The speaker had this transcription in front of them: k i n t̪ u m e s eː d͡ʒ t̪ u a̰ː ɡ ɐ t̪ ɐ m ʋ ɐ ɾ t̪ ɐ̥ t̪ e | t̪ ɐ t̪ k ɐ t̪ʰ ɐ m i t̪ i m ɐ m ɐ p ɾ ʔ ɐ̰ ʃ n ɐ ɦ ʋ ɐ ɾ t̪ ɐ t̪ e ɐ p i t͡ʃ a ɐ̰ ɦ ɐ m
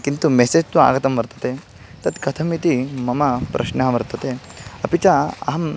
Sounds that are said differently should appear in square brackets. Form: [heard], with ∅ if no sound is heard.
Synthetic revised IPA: k i n t̪ u m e s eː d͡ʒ t̪ u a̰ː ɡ ɐ t̪ ɐ m ʋ ɐ ɾ t̪ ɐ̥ t̪ e | t̪ ɐ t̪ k ɐ t̪ʰ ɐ m i t̪ i m ɐ m ɐ p ɾ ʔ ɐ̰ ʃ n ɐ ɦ ʋ ɐ ɾ t̪ ɐ t̪ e ɐ p i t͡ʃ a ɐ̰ ɦ ɐ m